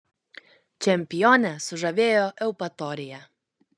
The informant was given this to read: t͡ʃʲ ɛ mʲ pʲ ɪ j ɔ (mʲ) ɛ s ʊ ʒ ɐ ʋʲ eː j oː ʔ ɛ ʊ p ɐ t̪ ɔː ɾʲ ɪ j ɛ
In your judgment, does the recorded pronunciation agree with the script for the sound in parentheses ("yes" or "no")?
no